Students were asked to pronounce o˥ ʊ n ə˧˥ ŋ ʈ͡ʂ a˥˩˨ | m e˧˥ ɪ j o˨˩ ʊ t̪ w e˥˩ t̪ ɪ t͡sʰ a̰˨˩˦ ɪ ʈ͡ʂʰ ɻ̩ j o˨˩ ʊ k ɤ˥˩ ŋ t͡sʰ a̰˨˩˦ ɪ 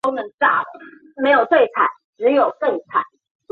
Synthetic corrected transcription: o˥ ʊ n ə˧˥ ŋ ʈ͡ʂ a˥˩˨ | m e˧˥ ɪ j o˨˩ ʊ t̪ w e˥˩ ɪ t͡sʰ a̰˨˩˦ ɪ ʈ͡ʂ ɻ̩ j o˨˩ ʊ k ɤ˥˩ ŋ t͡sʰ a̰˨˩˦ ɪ

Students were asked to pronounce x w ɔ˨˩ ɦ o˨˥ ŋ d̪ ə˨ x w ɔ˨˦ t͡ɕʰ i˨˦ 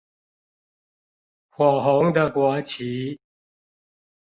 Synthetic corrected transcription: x w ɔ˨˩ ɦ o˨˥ ŋ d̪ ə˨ k w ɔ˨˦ t͡ɕʰ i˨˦

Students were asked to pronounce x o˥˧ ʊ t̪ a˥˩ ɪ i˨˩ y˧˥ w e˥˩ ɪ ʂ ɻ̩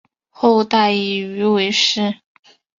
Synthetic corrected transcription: x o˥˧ ʊ t̪ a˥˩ ɪ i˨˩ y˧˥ w e˧˥ ɪ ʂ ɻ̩

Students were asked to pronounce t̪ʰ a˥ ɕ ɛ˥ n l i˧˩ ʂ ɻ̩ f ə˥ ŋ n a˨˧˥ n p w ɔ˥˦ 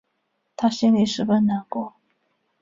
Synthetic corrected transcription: t̪ʰ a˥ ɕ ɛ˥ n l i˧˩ ʂ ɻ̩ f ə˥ n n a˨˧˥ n k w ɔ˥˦

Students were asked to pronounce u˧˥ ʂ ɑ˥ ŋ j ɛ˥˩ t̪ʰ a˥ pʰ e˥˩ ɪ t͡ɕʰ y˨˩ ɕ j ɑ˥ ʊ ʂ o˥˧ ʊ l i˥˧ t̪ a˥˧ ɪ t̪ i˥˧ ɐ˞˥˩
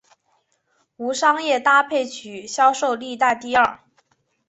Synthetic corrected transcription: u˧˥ ʂ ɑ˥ ŋ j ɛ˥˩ t̪ a˥ pʰ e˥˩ ɪ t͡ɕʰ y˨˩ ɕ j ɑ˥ ʊ ʂ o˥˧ ʊ l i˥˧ t̪ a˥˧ ɪ t̪ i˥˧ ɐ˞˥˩

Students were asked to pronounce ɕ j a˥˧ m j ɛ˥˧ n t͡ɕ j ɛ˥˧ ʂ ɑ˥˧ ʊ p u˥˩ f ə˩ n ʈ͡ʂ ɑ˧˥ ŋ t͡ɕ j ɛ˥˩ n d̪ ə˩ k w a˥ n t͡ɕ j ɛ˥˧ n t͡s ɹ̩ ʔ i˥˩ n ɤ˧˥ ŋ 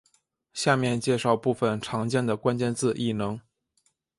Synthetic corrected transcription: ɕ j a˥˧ m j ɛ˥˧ n t͡ɕ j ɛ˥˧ ʂ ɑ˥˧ ʊ p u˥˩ f ə˩ n ʈ͡ʂʰ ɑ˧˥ ŋ t͡ɕ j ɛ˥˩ n d̪ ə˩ k w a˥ n t͡ɕ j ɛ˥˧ n t͡s ɹ̩ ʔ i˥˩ n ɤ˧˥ ŋ

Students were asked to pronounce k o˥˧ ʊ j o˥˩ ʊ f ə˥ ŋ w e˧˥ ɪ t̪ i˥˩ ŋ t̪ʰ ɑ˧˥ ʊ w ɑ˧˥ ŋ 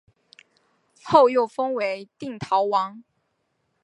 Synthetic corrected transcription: x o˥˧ ʊ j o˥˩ ʊ f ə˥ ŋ w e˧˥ ɪ t̪ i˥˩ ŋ t̪ʰ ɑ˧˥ ʊ w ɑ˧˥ ŋ

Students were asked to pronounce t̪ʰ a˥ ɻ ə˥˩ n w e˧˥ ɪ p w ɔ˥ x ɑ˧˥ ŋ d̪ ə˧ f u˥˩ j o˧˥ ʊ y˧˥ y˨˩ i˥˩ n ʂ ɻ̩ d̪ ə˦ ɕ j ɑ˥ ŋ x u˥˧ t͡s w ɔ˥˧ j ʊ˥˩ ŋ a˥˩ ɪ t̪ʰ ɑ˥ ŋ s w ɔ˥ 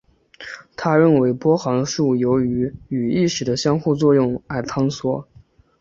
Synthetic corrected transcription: t̪ʰ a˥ ɻ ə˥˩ n w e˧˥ ɪ p w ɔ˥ x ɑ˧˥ ŋ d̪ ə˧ ʂ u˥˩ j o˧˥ ʊ y˧˥ y˨˩ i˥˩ ʂ ɻ̩ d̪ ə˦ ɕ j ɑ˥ ŋ x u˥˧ t͡s w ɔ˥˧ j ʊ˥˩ ŋ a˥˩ ɪ t̪ʰ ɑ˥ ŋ s w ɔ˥

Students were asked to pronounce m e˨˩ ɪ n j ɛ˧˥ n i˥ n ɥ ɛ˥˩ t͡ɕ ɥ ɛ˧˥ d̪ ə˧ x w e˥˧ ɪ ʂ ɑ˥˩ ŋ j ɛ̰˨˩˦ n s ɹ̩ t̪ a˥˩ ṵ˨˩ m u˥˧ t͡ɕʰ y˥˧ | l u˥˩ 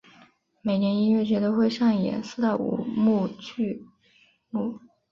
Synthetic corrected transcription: m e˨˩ ɪ n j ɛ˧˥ n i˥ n ɥ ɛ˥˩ t͡ɕ ɥ ɛ˧˥ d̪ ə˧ x w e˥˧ ɪ ʂ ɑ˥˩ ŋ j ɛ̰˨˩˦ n s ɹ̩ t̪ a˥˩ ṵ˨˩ m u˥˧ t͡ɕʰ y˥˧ | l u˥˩

